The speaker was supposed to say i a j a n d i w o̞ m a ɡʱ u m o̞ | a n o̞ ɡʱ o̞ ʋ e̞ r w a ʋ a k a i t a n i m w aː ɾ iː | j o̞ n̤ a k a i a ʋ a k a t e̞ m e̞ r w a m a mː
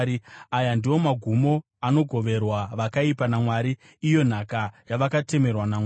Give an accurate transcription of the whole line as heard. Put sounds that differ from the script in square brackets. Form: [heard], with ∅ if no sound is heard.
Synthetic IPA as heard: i a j a n d i w o̞ m a ɡʱ u m o̞ | a n o̞ ɡʱ o̞ ʋ e̞ r w a ʋ a k a i [p] a n [a] m w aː ɾ iː | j o̞ n̤ a k a [j] a ʋ a k a t e̞ m e̞ r w a [n] a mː